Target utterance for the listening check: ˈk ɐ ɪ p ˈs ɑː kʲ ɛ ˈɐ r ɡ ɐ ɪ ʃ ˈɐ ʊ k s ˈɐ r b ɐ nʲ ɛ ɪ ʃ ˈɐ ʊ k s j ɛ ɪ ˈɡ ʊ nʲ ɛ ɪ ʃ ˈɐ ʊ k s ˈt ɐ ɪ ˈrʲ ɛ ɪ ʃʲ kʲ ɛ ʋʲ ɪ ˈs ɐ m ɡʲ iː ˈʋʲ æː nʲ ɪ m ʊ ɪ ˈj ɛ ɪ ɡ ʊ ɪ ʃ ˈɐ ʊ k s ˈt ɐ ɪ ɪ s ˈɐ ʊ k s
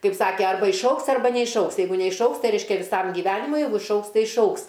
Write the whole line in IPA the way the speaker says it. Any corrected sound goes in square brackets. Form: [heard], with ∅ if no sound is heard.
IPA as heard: ˈk ɐ ɪ p ˈs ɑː kʲ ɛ ˈɐ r [b] ɐ ɪ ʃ ˈɐ ʊ k s ˈɐ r b ɐ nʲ ɛ ɪ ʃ ˈɐ ʊ k s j ɛ ɪ ˈɡ ʊ nʲ ɛ ɪ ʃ ˈɐ ʊ k s ˈt ɐ ɪ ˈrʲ ɛ ɪ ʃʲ kʲ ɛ ʋʲ ɪ ˈs ɐ m ɡʲ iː ˈʋʲ æː nʲ ɪ m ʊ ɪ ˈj ɛ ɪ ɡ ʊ ɪ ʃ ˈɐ ʊ k s ˈt ɐ ɪ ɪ [ʃ] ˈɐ ʊ k s